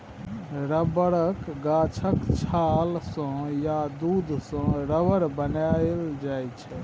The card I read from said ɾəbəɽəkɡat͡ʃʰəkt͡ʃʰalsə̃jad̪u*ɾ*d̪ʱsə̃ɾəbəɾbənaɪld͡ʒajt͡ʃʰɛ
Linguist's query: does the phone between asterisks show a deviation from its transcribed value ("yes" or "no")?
yes